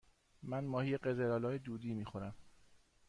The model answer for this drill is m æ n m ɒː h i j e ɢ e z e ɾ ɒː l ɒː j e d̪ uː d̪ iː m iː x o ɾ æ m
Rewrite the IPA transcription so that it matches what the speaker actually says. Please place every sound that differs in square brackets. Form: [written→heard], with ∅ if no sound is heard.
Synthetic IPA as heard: m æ n m ɒː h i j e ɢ e z e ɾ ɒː l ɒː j e d̪ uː d̪ iː m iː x o ɾ æ m